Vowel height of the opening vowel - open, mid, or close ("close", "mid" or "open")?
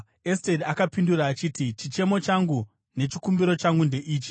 mid